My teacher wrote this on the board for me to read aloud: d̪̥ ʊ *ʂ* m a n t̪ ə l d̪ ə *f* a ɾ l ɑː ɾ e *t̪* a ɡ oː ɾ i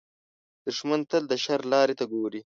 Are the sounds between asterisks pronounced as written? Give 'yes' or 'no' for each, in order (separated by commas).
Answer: yes, no, yes